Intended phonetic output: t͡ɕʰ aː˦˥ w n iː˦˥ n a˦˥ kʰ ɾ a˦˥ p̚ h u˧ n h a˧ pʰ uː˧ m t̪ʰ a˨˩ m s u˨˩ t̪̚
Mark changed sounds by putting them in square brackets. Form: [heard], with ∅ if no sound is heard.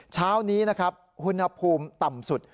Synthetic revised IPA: t͡ɕʰ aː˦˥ w n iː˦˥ n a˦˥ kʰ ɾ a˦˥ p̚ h u˧ n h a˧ pʰ uː˧ m [t̪] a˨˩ m s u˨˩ t̪̚